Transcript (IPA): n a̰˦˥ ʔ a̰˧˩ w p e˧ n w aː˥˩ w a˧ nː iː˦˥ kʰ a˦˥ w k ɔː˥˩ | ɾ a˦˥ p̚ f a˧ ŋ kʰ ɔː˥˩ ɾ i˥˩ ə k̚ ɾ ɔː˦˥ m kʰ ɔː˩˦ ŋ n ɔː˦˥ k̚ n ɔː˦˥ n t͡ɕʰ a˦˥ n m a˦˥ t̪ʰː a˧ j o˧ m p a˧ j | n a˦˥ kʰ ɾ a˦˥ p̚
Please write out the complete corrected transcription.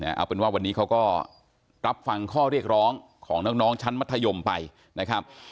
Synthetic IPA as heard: n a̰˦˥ ʔ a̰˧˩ w p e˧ n w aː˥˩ w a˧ nː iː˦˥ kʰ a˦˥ w k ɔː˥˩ | ɾ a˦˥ p̚ f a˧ ŋ kʰ ɔː˥˩ ɾ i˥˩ ə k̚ ɾ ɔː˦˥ ŋ kʰ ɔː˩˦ ŋ n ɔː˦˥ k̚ n ɔː˦˥ ŋ t͡ɕʰ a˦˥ n m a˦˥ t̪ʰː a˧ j o˧ m p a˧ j | n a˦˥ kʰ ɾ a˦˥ p̚